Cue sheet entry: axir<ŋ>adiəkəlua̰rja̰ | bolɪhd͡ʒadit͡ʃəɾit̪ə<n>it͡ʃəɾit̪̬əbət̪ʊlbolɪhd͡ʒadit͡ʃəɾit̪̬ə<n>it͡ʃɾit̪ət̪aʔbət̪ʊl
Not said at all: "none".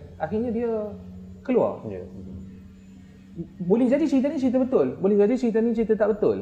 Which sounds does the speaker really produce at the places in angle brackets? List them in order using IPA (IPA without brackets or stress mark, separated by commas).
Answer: ɲ, n, n